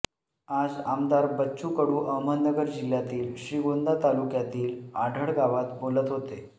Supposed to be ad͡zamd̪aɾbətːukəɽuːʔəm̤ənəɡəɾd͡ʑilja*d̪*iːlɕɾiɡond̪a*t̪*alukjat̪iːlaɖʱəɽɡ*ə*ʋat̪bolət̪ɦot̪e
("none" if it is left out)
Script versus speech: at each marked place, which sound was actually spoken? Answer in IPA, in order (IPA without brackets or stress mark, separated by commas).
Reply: t̪, t̪, a